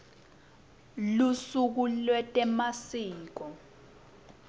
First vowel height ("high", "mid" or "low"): high